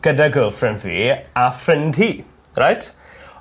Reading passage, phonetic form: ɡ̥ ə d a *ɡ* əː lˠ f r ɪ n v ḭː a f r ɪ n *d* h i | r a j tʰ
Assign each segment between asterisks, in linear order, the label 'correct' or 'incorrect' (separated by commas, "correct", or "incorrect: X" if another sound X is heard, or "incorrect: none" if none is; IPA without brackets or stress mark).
correct, correct